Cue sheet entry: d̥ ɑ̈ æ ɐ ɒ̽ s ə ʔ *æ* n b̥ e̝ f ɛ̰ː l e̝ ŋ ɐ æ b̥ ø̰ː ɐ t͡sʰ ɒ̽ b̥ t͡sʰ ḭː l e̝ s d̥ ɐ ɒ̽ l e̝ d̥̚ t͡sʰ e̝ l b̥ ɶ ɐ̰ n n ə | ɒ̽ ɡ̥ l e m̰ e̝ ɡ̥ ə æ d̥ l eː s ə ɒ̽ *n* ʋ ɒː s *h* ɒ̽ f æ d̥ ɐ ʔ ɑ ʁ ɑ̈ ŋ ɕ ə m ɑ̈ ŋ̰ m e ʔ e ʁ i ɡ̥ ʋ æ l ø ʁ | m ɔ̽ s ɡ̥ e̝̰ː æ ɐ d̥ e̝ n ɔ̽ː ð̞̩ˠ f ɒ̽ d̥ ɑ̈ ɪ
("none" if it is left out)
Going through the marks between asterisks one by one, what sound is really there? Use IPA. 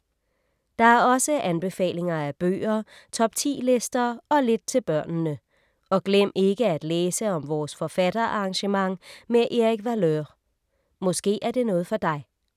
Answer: æ, m, f

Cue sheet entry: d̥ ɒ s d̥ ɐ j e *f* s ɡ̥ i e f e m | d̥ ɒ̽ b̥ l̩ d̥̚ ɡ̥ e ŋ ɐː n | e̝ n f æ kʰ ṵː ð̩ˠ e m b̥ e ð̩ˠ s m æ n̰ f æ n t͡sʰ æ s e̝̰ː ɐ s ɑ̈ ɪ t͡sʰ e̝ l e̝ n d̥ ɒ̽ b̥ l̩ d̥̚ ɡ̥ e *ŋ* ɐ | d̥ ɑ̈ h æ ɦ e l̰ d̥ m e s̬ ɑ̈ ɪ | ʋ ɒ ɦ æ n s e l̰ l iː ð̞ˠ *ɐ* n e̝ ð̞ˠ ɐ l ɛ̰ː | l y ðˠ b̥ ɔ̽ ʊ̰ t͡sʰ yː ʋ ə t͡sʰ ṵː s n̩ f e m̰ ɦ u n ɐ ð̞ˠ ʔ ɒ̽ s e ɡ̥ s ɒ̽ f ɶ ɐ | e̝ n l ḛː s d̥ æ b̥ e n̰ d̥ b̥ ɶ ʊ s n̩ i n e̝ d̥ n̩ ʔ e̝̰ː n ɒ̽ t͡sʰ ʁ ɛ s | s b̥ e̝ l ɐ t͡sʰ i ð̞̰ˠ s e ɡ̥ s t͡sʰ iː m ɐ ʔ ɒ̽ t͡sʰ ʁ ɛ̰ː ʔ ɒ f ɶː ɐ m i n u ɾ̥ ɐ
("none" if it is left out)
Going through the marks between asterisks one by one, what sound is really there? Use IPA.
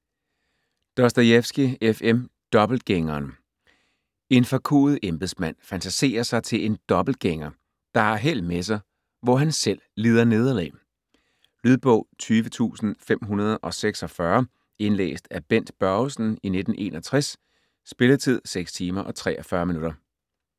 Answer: f, ŋ, ɐ

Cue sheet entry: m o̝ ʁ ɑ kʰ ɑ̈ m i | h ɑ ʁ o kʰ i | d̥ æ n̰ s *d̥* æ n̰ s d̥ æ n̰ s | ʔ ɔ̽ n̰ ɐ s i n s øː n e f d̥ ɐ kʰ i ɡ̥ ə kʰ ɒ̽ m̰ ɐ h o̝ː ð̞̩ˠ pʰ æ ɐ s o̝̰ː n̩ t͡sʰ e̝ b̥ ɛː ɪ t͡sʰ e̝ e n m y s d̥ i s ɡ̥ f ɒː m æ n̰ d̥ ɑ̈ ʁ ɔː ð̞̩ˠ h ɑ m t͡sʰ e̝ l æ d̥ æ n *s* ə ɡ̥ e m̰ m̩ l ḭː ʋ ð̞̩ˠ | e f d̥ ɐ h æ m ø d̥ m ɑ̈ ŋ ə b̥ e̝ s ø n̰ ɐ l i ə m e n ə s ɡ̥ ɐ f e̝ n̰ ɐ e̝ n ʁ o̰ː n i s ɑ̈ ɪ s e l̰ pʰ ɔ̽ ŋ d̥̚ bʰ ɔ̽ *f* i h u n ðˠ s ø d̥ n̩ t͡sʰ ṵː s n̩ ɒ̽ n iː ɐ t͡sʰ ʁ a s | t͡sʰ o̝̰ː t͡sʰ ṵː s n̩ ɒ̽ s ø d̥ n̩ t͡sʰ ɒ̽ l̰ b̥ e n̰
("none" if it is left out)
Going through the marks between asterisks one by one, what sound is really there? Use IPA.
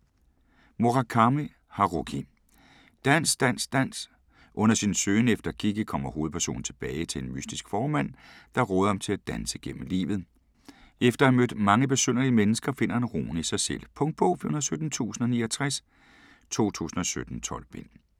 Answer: d̥, s, f

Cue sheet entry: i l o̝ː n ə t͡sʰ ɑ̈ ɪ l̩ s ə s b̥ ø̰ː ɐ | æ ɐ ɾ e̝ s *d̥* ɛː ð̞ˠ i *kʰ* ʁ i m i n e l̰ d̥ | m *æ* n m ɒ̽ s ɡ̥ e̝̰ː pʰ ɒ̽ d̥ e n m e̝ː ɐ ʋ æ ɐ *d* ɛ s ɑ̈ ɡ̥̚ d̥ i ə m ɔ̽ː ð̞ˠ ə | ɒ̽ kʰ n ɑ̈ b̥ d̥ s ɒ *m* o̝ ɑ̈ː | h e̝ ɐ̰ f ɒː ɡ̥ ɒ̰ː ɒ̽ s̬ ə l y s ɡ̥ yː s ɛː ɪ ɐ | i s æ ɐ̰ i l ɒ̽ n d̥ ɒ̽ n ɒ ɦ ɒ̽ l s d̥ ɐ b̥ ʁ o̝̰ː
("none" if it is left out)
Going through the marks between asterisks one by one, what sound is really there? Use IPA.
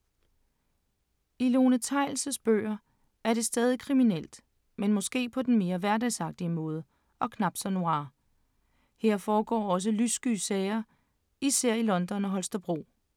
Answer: d̥, kʰ, e, d, n

